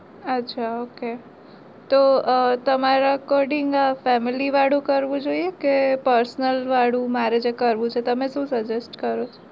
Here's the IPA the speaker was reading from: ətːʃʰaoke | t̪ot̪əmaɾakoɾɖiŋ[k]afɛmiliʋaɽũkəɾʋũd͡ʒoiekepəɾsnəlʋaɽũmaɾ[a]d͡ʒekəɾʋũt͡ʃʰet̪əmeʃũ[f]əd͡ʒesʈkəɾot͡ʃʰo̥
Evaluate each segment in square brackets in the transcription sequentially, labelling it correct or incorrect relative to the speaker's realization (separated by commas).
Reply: incorrect, incorrect, incorrect